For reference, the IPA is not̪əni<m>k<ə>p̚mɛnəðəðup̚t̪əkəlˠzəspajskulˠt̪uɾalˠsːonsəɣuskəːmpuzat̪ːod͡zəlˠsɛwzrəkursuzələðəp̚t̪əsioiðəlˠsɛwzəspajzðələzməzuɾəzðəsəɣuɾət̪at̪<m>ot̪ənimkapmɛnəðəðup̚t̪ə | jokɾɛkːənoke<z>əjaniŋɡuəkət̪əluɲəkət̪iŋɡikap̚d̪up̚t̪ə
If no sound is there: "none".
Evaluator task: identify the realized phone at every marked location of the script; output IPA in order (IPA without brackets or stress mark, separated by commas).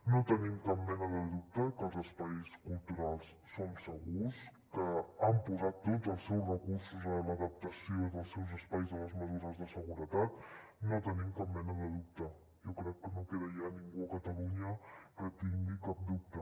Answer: m, a, n, ð